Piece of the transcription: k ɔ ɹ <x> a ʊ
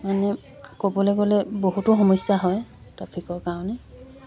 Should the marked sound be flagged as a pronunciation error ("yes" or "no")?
yes